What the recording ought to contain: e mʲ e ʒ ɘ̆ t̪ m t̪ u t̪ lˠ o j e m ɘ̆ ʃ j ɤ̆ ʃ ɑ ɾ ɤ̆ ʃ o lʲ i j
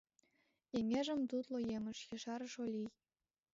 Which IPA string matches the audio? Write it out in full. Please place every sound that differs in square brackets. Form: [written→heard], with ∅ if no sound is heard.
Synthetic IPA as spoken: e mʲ e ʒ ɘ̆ [t̪→∅] m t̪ u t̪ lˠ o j e m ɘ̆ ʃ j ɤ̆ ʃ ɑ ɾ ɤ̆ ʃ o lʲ i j